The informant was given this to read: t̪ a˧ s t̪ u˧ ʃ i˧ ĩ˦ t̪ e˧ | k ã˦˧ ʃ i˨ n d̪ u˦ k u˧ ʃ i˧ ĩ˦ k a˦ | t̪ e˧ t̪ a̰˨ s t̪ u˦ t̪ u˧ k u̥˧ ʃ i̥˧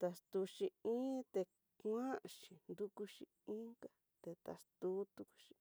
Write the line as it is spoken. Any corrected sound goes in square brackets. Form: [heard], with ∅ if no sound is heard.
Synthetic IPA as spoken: t̪ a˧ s t̪ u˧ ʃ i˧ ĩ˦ t̪ e˧ | k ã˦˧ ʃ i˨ n d̪ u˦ k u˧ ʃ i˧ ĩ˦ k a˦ | t̪ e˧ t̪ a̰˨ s t̪ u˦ t̪ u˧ k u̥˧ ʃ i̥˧